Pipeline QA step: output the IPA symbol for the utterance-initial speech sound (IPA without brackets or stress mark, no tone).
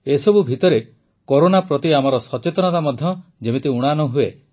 e